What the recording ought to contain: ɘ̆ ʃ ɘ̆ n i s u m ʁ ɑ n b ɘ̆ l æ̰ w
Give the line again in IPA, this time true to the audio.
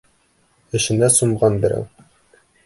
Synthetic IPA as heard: ɘ̆ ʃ ɘ̆ n æ s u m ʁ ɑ n b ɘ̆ ɾ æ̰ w